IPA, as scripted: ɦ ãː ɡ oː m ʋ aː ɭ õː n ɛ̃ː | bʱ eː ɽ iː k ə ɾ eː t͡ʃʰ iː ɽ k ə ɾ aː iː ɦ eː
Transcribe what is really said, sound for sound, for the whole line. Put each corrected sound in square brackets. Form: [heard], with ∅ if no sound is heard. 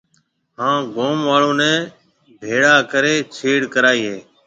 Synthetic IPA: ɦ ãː ɡ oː m ʋ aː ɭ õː n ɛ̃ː | bʱ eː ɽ [aː] k ə ɾ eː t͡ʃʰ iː ɽ k ə ɾ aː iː ɦ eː

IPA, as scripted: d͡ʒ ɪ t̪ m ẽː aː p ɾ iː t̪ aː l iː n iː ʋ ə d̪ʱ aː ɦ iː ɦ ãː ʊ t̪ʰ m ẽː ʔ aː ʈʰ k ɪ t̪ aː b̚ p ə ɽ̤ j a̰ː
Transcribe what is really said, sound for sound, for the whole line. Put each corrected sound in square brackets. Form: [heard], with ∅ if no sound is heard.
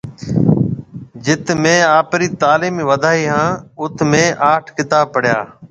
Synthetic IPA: d͡ʒ ɪ t̪ m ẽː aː p ɾ iː t̪ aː l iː [m] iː ʋ ə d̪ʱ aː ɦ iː ɦ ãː ʊ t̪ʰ m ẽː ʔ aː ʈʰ k ɪ t̪ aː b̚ p ə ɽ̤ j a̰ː

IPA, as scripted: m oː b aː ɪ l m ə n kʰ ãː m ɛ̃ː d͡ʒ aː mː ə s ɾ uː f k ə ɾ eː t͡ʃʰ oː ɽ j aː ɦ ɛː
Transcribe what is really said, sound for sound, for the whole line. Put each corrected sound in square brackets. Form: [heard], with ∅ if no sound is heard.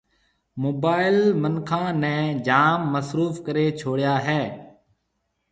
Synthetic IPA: m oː b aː ɪ l m ə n kʰ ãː [n] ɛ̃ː d͡ʒ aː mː ə s ɾ uː f k ə ɾ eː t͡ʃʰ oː ɽ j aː ɦ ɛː

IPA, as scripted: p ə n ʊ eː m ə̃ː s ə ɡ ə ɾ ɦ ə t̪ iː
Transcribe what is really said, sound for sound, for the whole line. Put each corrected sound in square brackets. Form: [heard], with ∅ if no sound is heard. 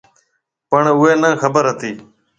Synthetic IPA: p ə [ɳ] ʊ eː [n] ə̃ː [x] ə [b] ə ɾ ɦ ə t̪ iː

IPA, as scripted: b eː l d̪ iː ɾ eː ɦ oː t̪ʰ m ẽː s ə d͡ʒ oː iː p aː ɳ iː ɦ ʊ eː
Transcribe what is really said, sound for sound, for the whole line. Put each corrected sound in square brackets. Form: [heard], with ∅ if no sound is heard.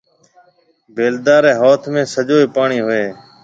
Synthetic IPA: b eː l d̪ [aː] ɾ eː ɦ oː t̪ʰ m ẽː s ə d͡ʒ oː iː p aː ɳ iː ɦ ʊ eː

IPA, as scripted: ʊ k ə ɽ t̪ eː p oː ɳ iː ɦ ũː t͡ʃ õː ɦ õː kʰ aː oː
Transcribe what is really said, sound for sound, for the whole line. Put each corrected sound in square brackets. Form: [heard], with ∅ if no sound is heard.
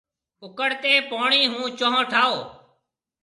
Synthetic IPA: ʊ k ə ɽ t̪ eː p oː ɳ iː ɦ ũː t͡ʃ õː ɦ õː [ʈʰ] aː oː

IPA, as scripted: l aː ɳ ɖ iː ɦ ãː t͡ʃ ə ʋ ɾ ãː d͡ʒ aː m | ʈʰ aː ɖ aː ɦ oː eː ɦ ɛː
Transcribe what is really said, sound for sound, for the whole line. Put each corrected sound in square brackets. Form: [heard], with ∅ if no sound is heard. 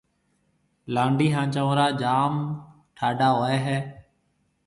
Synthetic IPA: l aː ɳ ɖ iː ɦ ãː t͡ʃ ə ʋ ɾ [aː] d͡ʒ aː m | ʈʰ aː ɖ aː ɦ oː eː ɦ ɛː

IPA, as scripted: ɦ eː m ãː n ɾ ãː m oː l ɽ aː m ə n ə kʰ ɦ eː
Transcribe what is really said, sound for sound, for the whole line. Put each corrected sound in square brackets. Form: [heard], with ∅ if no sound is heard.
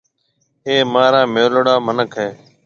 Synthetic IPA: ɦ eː m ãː [∅] ɾ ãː m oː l ɽ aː m ə n ə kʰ ɦ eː

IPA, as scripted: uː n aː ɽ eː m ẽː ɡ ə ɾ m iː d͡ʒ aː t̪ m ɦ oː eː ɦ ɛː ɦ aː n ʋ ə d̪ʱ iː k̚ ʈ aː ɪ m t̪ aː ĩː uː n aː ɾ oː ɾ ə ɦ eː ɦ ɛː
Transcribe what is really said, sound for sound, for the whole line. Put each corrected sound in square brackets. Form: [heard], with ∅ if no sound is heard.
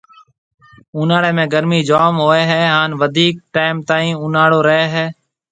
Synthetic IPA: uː n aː ɽ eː m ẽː ɡ ə ɾ m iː d͡ʒ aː [∅] m ɦ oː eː ɦ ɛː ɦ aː n ʋ ə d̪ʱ iː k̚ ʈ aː ɪ m t̪ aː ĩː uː n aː [ɽ] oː ɾ ə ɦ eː ɦ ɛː

